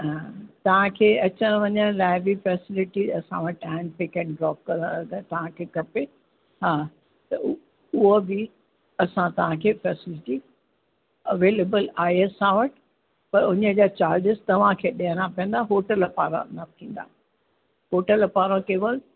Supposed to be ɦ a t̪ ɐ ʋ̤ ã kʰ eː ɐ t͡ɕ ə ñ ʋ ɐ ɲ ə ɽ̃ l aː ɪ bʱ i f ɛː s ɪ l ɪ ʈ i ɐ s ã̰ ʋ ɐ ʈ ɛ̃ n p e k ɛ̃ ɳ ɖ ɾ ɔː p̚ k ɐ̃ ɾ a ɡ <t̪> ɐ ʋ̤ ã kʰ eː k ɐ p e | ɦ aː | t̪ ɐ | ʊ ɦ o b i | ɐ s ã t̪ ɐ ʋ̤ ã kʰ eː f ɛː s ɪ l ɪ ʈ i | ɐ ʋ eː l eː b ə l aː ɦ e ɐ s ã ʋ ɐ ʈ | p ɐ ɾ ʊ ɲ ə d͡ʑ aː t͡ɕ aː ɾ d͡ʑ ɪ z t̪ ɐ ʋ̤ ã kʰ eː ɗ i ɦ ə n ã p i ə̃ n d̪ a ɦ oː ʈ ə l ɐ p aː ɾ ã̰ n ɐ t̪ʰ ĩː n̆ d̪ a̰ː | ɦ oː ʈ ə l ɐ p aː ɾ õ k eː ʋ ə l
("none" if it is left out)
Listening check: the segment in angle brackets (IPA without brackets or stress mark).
t̪